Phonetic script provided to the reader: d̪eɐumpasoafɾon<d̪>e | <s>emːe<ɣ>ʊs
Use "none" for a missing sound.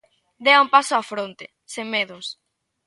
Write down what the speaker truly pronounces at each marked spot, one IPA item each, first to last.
t̪, s, ð

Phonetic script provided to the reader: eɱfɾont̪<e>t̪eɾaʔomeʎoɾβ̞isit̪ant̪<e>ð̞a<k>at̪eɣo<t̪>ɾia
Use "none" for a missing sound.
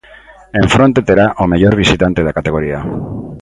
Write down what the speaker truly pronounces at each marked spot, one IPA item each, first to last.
e, e, k, none

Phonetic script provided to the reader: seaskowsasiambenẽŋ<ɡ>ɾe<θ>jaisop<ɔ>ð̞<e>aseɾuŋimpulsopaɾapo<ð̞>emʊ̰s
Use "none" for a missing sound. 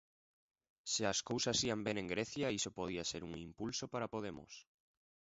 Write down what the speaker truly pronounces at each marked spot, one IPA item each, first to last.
ɡ, θ, o, i, ð̞

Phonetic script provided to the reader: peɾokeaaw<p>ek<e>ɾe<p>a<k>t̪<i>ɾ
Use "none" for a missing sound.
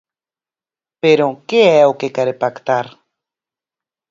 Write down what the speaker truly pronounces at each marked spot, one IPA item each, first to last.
k, a, p, k, a

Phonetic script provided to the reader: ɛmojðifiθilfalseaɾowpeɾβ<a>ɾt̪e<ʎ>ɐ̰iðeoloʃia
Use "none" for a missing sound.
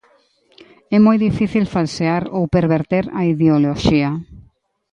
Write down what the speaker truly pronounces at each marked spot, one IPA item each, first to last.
e, ɾ

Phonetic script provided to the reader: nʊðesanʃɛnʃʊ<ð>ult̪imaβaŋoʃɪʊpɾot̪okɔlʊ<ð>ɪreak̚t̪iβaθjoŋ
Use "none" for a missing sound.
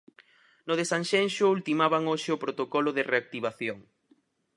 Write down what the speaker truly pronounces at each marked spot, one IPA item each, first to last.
none, ð

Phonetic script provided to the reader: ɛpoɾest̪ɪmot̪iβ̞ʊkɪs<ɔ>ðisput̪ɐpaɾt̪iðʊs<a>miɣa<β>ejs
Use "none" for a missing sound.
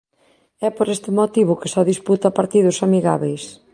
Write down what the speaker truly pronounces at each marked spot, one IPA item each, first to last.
ɔ, a, β

